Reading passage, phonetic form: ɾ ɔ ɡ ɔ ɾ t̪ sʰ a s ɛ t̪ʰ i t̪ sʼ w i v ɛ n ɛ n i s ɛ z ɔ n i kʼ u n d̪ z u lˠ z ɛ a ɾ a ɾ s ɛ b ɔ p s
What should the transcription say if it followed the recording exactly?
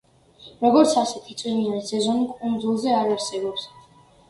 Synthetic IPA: ɾ ɔ ɡ ɔ ɾ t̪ sʰ a s ɛ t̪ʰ i t̪ sʼ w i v i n a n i s ɛ z ɔ n i kʼ u n d̪ z u lˠ z ɛ a ɾ a ɾ s ɛ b ɔ p s